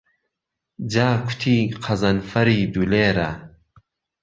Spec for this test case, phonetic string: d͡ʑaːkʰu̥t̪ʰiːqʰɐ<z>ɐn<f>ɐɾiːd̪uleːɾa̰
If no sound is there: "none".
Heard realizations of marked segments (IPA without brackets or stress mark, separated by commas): z, f